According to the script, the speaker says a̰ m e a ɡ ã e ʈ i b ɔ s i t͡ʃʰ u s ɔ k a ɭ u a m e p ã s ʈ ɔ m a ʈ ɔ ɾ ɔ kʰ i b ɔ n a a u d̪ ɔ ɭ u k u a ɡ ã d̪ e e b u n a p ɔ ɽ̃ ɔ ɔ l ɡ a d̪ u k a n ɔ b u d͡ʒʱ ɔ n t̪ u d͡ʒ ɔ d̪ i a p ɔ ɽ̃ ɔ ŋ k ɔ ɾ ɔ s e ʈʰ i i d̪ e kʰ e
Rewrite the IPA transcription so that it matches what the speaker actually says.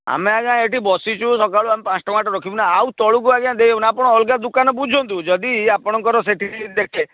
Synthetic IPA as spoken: a̰ m e a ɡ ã e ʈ i b ɔ s i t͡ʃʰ u s ɔ k a ɭ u a m e p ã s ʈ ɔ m a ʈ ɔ ɾ ɔ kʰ i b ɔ n a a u t̪ ɔ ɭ u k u a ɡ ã d̪ e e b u n a p ɔ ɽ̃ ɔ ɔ l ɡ a d̪ u k a n ɔ b u d͡ʒʱ ɔ n t̪ u d͡ʒ ɔ d̪ i a p ɔ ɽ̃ ɔ ŋ k ɔ ɾ ɔ s e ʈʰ i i d̪ e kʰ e